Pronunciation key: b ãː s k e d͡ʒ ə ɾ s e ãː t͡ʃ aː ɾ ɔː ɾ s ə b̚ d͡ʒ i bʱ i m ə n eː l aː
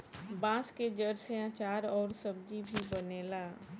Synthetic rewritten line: b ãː s k e d͡ʒ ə ɾ s e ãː t͡ʃ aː ɾ ɔː ɾ s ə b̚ d͡ʒ i bʱ i b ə n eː l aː